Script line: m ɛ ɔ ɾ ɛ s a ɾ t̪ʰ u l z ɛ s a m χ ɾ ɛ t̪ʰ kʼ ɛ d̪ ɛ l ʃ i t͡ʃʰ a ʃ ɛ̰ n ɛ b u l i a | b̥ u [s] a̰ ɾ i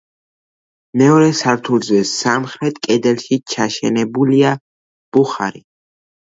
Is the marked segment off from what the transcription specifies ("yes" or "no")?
yes